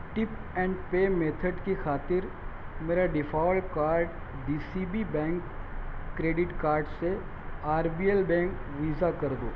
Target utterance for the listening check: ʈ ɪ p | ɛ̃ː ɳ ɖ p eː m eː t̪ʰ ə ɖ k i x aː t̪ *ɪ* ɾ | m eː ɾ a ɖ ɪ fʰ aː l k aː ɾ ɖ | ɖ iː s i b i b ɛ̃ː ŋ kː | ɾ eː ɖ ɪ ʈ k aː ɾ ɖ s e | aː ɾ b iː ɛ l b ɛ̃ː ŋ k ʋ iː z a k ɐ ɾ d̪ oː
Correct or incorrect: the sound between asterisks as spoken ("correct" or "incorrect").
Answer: correct